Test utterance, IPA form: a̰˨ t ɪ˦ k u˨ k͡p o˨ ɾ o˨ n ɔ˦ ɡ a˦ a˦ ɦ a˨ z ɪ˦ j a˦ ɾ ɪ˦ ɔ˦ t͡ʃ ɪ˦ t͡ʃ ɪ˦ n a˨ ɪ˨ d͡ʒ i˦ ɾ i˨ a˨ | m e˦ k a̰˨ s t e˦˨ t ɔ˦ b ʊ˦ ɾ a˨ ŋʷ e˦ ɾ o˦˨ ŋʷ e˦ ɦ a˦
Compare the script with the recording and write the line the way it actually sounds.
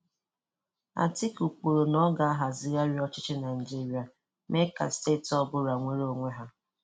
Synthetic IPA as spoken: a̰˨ t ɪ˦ k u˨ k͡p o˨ ɾ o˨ n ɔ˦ ɡ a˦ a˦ ɦ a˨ z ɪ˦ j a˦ ɾ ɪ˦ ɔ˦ t͡ʃ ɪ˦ t͡ʃ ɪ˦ n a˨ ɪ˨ d͡ʒ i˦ ɾ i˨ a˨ | m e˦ k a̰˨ s t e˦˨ t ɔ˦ b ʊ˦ ɾ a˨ ŋʷ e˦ ɾ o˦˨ ŋʷ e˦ ɦ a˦

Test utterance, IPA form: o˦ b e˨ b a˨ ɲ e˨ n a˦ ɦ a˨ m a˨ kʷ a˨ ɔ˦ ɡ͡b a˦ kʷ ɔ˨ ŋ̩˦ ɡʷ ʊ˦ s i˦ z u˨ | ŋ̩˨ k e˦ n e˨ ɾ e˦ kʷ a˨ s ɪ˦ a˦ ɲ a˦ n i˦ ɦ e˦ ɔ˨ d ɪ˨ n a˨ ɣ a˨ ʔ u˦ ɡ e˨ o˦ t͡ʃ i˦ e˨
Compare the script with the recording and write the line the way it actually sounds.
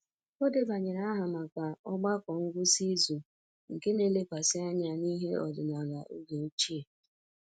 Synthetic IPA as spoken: o˦ d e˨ b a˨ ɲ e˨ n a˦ ɦ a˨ m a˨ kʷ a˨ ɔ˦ ɡ͡b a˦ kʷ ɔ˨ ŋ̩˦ ɡʷ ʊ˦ s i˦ z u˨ | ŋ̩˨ k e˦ n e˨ l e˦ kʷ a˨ s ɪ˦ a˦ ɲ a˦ n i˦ ɦ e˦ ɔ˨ d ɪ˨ n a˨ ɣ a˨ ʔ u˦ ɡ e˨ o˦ t͡ʃ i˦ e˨

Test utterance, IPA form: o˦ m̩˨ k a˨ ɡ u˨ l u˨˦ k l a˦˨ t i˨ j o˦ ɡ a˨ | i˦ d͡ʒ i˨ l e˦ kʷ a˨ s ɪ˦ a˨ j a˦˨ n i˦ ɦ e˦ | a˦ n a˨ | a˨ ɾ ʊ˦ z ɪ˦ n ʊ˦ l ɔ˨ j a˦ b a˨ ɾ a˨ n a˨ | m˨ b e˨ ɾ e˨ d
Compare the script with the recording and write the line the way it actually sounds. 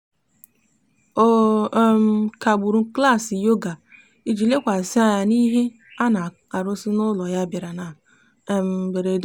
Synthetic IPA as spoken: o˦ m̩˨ k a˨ ɡ͡b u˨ ɾ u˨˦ k l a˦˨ s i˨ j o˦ ɡ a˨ | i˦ d͡ʒ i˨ l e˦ kʷ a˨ s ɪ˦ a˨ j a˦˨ n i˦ ɦ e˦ | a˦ n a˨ | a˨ ɾ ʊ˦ s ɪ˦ n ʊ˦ l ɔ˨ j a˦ b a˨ ɾ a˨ n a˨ | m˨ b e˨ ɾ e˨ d

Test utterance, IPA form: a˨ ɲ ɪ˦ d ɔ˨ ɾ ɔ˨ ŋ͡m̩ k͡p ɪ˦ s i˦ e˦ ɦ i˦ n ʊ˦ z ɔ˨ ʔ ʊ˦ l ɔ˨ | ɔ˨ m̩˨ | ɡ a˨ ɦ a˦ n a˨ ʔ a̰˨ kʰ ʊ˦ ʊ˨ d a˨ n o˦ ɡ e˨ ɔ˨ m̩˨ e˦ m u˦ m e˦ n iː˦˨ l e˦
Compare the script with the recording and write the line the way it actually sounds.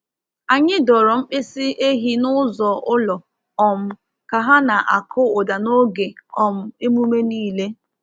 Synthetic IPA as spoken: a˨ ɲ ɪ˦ d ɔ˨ ɾ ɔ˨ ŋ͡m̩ k͡p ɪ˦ s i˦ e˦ ɦ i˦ n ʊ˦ z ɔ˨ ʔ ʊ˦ l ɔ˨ | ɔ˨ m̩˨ | k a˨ ɦ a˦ n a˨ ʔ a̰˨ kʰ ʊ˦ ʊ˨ d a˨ n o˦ ɡ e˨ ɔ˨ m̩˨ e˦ m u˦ m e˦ n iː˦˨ l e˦

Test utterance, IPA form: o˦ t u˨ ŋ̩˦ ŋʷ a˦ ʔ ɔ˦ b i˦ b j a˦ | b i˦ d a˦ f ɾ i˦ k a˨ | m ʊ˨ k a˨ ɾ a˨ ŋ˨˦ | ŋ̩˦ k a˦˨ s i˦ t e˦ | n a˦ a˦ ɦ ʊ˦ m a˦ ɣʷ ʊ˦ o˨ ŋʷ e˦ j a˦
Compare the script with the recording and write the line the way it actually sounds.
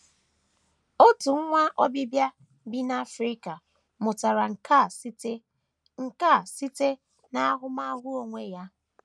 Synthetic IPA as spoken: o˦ t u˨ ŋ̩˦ ŋʷ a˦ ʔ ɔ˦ b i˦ b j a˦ | b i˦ n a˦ f ɾ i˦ k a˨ | m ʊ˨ t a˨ ɾ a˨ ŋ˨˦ | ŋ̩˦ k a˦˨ s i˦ t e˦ | n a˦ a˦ ɦ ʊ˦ m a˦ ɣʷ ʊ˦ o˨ ŋʷ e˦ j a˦

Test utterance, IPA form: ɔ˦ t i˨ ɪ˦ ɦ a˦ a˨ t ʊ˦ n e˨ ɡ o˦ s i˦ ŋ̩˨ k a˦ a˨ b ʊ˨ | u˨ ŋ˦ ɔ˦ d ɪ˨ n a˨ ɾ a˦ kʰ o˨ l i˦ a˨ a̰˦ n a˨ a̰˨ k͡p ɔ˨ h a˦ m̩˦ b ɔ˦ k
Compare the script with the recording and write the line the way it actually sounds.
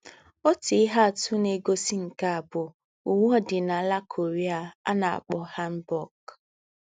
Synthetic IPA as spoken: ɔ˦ t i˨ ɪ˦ ɦ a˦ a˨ t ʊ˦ n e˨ ɡ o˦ s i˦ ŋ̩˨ k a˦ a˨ b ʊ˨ | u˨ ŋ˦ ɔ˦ d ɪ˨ n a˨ l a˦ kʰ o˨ ɾ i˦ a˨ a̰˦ n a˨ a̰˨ k͡p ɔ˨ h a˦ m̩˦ b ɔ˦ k

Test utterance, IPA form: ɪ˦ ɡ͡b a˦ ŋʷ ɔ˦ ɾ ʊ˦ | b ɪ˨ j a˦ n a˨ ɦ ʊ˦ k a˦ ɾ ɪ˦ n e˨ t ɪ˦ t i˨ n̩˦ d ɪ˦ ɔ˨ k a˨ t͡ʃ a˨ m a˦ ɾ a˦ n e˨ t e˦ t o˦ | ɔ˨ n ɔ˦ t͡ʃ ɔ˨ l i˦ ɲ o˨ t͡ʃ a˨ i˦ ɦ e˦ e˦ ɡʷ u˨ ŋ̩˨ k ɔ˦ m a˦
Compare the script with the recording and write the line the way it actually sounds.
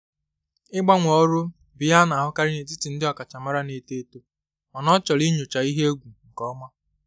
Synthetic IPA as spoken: ɪ˦ ɡ͡b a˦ ŋʷ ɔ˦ ɾ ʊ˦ | b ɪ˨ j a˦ n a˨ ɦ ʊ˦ k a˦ ɾ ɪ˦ n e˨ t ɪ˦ t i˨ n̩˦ d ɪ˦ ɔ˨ k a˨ t͡ʃ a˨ m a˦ ɾ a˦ n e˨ t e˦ t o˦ | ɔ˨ n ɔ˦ t͡ʃ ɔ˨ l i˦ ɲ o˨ t͡ʃ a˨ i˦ ɦ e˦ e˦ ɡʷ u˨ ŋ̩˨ k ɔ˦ m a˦

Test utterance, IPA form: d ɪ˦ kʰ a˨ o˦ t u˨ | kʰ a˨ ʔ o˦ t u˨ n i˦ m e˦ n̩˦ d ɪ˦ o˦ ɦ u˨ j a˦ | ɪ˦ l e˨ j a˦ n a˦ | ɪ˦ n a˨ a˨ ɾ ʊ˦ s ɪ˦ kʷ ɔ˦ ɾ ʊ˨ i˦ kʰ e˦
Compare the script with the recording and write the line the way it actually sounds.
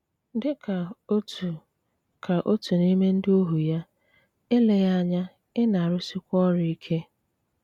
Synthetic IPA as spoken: d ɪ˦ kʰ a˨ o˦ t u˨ | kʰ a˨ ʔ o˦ t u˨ n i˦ m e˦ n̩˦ d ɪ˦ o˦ ɦ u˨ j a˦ | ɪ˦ l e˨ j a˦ ɲ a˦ | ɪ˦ n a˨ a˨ ɾ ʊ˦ s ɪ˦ kʷ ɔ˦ ɾ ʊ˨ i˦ kʰ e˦

